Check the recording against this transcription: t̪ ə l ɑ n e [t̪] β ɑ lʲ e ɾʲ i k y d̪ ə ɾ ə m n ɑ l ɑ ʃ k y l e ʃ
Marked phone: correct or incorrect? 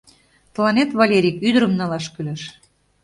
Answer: correct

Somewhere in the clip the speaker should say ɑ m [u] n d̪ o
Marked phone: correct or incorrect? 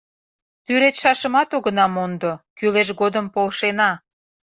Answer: incorrect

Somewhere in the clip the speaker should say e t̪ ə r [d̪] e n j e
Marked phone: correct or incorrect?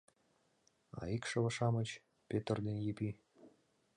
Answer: correct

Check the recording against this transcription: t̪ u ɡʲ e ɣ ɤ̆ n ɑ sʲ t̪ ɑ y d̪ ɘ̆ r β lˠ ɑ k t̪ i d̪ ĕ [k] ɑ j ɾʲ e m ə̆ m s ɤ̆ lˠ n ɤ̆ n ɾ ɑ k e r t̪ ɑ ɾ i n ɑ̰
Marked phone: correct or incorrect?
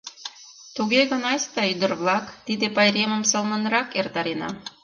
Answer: incorrect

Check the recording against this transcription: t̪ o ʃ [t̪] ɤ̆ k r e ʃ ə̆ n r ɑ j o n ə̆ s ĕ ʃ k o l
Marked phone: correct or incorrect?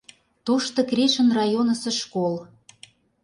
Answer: correct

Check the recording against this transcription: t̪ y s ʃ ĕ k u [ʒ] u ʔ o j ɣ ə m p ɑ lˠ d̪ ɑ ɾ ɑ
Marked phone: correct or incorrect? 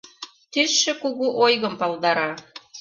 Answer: incorrect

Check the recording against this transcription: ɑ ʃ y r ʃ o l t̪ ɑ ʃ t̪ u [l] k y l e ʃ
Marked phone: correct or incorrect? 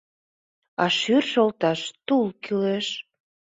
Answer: correct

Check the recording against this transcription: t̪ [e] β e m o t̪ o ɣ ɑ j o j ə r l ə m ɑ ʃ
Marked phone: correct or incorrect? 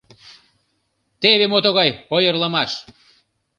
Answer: correct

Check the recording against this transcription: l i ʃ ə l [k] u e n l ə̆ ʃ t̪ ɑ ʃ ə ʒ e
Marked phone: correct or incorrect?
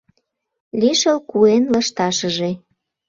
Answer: correct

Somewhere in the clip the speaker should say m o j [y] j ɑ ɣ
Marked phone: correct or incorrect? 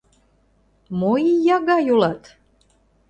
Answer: incorrect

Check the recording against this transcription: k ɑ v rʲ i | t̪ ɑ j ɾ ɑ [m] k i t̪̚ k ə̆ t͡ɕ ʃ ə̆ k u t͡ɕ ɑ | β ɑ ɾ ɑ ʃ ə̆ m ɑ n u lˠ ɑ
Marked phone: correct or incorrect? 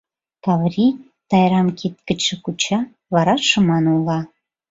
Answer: correct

